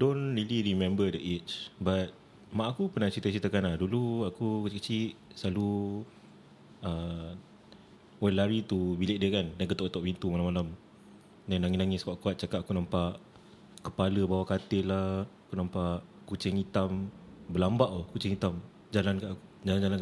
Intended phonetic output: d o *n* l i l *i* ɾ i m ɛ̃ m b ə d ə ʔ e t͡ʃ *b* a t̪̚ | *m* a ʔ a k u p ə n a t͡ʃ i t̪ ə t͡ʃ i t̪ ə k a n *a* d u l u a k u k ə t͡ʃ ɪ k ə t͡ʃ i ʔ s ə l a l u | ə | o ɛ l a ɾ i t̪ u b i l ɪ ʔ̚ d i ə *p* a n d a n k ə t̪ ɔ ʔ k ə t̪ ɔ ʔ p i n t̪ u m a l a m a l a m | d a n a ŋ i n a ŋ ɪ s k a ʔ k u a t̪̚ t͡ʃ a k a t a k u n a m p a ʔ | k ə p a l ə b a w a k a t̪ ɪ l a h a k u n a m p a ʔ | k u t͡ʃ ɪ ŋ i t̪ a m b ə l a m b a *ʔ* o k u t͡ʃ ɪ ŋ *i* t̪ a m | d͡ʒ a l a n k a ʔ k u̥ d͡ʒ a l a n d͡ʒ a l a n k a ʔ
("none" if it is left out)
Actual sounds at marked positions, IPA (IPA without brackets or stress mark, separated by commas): n, i, b, m, a, k, ʔ, i